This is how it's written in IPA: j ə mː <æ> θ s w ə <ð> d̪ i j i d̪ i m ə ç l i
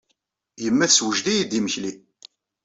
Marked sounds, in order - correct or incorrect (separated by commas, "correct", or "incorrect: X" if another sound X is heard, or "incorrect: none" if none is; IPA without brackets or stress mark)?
correct, incorrect: ʒ